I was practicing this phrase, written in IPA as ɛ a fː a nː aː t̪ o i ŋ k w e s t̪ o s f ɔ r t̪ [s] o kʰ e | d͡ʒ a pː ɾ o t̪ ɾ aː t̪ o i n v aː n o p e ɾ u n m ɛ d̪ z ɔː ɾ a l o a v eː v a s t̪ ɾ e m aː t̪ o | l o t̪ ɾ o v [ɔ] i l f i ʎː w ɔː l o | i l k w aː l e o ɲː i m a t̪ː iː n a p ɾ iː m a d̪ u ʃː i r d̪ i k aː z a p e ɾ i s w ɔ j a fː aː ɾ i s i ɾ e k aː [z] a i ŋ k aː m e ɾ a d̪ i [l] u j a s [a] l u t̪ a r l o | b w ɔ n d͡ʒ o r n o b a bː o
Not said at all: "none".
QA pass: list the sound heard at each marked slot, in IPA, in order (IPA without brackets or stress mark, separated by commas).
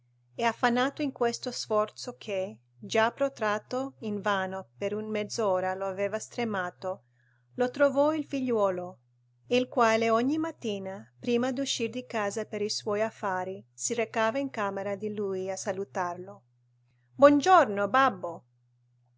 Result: s, ɔ, v, l, a